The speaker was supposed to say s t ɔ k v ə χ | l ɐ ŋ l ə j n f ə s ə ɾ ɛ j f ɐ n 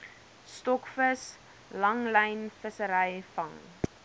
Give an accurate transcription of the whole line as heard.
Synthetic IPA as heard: s t ɔ k f ə s | l ɐ ŋ l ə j n f ə s ə ɾ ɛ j f ɐ ŋ